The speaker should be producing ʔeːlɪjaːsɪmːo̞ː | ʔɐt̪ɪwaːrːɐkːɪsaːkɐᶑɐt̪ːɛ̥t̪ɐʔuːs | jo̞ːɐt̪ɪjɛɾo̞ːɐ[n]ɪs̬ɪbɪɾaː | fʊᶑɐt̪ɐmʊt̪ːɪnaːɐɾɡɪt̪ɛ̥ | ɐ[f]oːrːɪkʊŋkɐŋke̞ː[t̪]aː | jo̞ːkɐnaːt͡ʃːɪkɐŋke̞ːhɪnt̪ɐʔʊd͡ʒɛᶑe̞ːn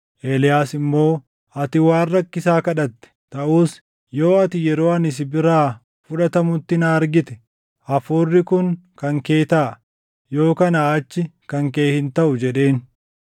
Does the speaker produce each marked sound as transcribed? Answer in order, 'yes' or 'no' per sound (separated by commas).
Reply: yes, yes, yes